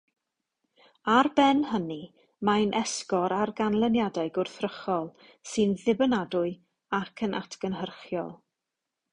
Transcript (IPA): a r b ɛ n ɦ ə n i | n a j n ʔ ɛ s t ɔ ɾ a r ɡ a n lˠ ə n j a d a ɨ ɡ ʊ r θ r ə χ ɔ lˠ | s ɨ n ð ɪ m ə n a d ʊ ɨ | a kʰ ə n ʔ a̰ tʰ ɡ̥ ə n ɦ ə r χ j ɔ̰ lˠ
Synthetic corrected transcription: a r b ɛ n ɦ ə n i | m a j n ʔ ɛ s k ɔ ɾ a r ɡ a n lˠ ə n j a d a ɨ ɡ ʊ r θ r ə χ ɔ lˠ | s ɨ n ð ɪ b ə n a d ʊ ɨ | a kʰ ə n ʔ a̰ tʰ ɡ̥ ə n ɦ ə r χ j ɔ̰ lˠ